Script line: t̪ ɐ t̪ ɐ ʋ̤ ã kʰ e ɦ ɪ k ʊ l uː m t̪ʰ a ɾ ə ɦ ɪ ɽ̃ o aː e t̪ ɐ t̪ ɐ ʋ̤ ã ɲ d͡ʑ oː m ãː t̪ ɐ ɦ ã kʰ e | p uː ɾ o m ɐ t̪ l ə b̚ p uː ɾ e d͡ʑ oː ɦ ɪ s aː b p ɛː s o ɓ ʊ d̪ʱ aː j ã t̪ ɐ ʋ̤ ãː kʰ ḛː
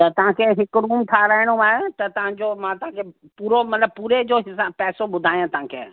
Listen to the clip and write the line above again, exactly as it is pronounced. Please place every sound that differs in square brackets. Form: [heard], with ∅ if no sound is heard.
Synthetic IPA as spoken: t̪ ɐ t̪ ɐ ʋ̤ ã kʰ e ɦ ɪ k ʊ [ɾ] uː m t̪ʰ a ɾ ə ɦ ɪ ɽ̃ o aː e t̪ ɐ t̪ ɐ ʋ̤ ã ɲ d͡ʑ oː m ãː t̪ ɐ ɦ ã kʰ e | p uː ɾ o m ɐ t̪ l ə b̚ p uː ɾ e d͡ʑ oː ɦ ɪ s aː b p ɛː s o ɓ ʊ d̪ʱ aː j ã t̪ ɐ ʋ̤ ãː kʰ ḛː